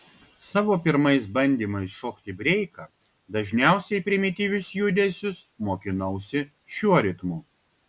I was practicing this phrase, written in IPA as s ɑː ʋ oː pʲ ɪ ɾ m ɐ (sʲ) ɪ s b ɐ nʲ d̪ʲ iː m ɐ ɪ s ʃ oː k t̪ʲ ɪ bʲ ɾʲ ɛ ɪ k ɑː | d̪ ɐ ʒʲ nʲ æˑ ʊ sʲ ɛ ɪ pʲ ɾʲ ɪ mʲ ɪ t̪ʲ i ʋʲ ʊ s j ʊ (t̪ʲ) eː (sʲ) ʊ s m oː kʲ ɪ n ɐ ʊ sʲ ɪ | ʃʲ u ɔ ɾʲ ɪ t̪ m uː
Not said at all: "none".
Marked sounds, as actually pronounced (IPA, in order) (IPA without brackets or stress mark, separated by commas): none, d̪ʲ, sʲ